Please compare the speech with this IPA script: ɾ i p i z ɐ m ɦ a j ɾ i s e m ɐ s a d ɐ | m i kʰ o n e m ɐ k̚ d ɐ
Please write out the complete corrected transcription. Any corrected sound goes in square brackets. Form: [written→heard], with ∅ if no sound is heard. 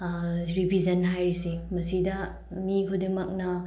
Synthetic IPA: ɾ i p i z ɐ [m→n] ɦ a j ɾ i s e m ɐ s [a→i] d ɐ | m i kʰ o [n→d] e m ɐ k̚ [d→n] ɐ